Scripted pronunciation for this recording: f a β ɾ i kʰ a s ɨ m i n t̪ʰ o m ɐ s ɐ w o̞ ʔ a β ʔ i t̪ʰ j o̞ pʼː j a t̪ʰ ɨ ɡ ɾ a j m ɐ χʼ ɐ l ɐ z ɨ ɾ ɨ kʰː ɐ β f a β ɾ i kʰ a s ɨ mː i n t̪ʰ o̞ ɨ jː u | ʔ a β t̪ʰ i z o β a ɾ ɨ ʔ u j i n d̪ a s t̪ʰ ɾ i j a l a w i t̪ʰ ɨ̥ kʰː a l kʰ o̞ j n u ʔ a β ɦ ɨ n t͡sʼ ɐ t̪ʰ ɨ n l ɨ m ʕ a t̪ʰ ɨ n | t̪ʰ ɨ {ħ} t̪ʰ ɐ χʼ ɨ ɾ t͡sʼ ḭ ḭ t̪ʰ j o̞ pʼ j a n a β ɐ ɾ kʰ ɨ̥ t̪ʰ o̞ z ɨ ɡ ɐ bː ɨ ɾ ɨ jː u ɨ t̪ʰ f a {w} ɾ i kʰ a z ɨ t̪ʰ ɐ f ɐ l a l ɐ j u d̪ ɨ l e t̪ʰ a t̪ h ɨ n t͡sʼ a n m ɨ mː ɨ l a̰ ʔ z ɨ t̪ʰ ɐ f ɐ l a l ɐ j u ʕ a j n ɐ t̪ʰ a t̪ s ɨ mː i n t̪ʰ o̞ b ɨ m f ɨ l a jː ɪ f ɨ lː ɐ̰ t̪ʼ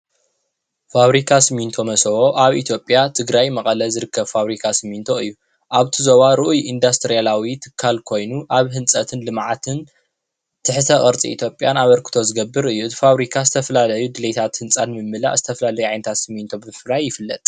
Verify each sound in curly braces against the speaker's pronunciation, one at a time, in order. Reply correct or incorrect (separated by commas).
correct, incorrect